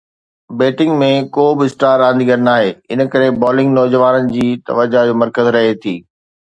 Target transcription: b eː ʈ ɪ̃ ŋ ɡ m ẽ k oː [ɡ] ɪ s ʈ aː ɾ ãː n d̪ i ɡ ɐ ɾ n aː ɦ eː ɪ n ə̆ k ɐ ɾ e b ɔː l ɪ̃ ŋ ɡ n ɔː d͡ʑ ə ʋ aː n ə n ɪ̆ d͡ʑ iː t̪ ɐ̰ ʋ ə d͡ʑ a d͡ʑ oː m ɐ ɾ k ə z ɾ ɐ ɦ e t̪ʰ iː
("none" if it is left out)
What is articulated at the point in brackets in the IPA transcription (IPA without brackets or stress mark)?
b